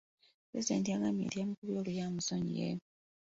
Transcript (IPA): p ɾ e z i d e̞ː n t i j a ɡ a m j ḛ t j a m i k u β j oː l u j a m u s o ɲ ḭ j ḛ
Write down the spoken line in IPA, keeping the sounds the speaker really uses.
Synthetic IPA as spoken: p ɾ e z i d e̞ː n t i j a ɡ a m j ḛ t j a m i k u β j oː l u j a m u s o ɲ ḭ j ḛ